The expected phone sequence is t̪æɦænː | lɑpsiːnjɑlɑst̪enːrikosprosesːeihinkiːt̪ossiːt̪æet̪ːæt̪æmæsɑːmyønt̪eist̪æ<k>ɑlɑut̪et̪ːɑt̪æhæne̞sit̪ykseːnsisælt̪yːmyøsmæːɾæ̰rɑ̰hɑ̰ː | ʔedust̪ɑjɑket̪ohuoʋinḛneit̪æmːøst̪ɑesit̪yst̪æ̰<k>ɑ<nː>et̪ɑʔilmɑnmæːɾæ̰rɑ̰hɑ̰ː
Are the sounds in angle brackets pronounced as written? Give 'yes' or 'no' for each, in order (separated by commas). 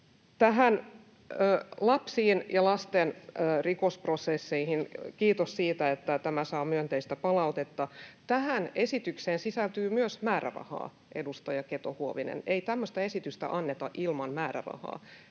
no, no, yes